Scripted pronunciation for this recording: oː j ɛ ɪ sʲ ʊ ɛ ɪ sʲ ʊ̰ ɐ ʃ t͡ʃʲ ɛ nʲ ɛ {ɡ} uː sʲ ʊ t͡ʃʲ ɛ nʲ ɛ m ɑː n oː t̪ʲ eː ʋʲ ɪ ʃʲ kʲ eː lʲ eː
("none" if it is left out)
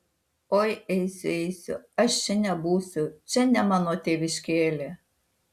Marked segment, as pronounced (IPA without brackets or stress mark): b